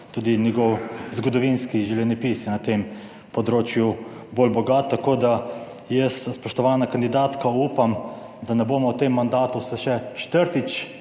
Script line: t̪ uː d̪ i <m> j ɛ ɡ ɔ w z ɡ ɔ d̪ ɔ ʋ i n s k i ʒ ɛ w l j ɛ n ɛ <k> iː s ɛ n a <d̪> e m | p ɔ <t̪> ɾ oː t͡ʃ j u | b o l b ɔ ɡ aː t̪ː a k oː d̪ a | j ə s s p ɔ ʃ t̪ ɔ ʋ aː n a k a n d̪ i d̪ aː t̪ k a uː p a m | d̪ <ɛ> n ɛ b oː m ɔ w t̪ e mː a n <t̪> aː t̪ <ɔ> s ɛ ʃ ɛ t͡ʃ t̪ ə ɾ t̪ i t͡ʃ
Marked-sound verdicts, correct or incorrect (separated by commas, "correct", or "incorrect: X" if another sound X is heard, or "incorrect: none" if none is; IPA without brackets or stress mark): incorrect: n, incorrect: p, incorrect: t̪, incorrect: d̪, incorrect: a, incorrect: d̪, incorrect: u